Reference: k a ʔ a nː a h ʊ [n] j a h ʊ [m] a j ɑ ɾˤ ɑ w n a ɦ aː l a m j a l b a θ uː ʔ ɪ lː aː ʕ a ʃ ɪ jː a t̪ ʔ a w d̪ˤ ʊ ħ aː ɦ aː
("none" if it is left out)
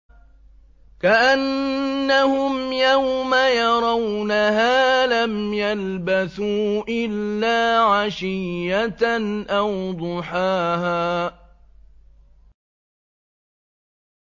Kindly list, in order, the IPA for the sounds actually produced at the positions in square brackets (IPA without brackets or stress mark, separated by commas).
m, m